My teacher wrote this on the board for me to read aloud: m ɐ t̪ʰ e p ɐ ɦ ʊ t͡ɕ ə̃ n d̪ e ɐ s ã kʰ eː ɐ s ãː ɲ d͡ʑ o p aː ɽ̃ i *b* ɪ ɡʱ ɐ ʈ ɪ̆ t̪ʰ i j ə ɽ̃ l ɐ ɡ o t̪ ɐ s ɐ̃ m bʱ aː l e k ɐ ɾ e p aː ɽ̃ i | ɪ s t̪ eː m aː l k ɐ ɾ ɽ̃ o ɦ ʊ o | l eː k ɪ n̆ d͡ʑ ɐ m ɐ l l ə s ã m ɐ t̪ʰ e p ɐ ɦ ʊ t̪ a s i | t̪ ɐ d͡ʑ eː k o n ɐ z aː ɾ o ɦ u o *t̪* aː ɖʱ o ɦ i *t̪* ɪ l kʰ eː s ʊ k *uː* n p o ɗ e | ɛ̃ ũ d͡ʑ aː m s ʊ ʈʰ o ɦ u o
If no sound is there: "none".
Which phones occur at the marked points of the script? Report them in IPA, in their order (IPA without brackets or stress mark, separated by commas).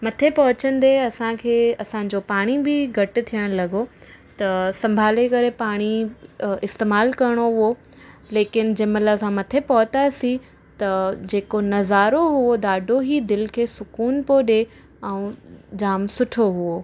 b, d̪, d̪, uː